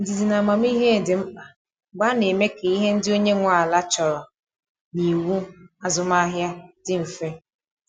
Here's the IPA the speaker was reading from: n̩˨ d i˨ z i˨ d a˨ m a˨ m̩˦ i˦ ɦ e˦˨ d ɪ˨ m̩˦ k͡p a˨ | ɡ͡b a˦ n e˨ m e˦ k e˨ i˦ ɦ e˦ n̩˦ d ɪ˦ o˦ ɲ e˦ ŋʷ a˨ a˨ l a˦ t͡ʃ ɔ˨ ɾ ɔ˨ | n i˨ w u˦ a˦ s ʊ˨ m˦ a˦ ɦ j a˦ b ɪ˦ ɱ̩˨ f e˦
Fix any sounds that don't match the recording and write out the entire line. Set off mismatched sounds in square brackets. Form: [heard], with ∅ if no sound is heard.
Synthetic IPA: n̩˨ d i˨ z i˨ [n] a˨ m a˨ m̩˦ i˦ ɦ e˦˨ d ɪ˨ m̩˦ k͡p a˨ | ɡ͡b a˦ n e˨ m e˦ k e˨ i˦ ɦ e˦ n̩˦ d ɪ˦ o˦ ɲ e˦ ŋʷ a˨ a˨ l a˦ t͡ʃ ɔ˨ ɾ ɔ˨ | n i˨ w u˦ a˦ [z] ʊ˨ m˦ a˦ ɦ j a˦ [d] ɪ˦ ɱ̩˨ f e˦